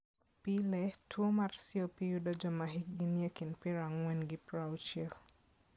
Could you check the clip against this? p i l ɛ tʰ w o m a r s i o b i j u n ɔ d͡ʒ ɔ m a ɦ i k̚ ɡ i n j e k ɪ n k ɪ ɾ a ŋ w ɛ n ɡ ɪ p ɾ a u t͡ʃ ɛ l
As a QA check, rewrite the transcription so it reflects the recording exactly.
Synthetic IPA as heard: p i l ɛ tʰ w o m a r s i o p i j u d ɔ d͡ʒ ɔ m a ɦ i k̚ ɡ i n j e k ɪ n p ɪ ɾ a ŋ w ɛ n ɡ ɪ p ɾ a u t͡ʃ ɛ l